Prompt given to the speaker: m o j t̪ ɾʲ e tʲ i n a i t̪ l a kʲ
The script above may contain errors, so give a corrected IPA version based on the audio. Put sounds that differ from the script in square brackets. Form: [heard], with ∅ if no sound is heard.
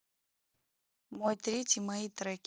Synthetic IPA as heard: m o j t̪ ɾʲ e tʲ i [m] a i t̪ [ɾ] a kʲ

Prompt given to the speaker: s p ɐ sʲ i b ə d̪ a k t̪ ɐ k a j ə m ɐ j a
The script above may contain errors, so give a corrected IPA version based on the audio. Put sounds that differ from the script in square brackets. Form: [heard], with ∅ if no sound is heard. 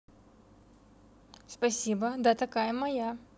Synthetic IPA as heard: s p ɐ sʲ i b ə d̪ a [∅] t̪ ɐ k a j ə m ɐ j a

